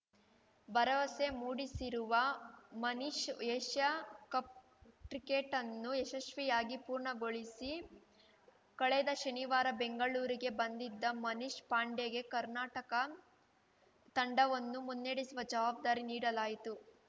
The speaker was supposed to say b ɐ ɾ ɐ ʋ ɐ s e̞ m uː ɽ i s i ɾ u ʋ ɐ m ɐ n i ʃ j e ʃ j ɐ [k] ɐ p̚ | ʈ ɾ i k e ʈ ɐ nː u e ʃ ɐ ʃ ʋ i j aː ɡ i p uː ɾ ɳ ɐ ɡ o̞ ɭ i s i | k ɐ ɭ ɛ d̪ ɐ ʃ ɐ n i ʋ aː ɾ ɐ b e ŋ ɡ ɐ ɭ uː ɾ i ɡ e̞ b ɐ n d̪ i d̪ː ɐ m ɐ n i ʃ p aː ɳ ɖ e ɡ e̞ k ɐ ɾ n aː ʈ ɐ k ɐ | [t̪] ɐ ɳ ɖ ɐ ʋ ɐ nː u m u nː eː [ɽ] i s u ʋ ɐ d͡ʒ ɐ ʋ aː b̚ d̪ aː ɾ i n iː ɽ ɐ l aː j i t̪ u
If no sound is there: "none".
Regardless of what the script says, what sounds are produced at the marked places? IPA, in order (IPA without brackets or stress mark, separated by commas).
k, t̪, ɽ